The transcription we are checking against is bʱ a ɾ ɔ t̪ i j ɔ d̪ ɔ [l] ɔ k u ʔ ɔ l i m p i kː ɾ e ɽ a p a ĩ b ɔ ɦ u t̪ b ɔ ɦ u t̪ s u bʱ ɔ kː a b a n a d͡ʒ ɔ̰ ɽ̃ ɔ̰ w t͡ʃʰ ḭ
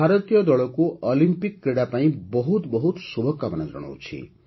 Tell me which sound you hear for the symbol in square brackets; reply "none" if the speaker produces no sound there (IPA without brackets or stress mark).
ɭ